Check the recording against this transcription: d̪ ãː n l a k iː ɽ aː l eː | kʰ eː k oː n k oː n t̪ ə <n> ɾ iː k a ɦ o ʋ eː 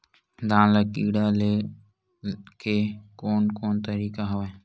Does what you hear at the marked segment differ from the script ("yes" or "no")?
yes